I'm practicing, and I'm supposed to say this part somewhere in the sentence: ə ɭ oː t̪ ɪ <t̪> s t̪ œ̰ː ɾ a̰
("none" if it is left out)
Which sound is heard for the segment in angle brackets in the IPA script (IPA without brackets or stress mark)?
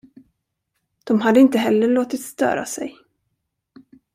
t̪